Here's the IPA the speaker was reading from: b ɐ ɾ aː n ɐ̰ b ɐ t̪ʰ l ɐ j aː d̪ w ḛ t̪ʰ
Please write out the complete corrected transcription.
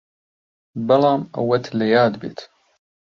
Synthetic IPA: b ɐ l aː m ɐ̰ w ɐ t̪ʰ l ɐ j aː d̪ b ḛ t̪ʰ